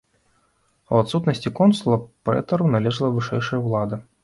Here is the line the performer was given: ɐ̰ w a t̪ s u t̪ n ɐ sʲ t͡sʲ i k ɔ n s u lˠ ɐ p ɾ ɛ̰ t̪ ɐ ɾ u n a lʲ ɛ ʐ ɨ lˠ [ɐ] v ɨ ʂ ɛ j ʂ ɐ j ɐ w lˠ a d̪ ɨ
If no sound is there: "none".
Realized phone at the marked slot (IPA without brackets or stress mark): ɐ